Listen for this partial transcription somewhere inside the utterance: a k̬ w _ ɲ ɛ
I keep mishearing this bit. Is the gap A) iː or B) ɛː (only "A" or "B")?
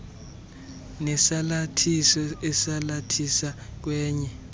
B